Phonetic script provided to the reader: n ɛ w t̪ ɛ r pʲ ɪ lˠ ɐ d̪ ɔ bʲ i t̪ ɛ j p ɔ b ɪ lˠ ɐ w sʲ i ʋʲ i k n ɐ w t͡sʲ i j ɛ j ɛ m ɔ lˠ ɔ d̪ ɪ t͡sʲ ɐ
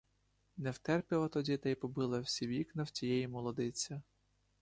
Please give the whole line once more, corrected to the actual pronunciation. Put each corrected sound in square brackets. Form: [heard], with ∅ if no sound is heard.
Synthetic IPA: n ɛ w t̪ ɛ r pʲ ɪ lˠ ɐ [t̪] ɔ [dʲ] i t̪ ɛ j p ɔ b ɪ lˠ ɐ w sʲ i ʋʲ i k n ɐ w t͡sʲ i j ɛ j [i] m ɔ lˠ ɔ d̪ ɪ t͡sʲ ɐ